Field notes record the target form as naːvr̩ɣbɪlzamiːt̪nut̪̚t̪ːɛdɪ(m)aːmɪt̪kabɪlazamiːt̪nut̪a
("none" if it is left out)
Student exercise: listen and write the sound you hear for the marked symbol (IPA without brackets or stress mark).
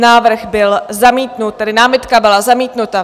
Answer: n